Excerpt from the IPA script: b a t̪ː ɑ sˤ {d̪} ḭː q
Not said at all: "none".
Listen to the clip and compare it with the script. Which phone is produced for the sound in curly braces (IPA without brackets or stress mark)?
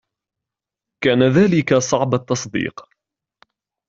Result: d̪